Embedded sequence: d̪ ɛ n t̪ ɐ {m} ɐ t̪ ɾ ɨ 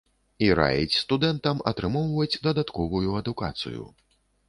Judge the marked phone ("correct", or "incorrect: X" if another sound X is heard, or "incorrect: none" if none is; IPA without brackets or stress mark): correct